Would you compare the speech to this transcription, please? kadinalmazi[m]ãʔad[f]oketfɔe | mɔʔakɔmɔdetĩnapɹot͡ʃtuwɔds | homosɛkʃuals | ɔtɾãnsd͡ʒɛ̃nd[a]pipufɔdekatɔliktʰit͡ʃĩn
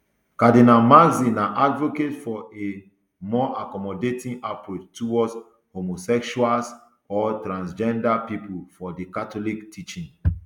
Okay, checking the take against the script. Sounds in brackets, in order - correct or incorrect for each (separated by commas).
incorrect, incorrect, correct